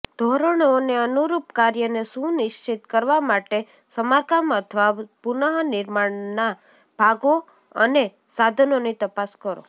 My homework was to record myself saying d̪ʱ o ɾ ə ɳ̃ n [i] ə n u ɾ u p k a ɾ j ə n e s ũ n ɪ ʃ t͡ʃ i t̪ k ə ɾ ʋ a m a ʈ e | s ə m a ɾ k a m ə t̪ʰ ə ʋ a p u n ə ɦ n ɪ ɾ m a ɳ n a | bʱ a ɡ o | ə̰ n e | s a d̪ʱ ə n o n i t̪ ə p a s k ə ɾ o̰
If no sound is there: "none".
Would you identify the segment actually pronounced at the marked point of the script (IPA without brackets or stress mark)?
e